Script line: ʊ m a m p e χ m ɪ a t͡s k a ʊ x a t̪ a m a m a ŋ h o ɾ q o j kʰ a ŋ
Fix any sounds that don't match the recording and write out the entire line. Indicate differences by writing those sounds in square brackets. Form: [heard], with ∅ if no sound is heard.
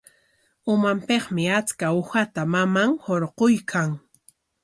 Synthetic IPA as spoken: ʊ m a m p e χ m ɪ a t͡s k a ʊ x a t̪ a m a m a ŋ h o ɾ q o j kʰ a ŋ